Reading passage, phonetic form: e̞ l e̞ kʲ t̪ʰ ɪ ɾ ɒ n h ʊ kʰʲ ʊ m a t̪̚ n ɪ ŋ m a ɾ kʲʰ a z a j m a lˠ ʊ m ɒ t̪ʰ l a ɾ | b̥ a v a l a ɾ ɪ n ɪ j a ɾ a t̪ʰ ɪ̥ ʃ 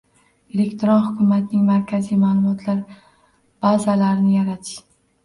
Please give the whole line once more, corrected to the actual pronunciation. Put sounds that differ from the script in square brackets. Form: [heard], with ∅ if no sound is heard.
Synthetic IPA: e̞ l e̞ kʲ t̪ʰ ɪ ɾ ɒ n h ʊ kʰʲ ʊ m a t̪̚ n ɪ ŋ m a ɾ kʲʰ a z [i] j m a lˠ ʊ m ɒ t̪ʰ l a ɾ | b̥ a [z] a l a ɾ ɪ n ɪ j a ɾ a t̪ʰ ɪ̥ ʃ